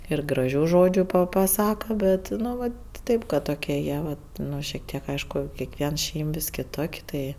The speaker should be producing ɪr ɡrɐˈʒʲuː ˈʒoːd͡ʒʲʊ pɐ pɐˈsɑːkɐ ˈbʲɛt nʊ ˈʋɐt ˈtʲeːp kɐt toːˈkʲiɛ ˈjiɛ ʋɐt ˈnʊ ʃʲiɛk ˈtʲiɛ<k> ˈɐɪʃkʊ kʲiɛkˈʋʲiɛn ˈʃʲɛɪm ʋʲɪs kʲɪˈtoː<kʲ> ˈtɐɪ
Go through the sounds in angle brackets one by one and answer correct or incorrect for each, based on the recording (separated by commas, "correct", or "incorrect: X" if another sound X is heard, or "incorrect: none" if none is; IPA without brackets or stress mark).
correct, correct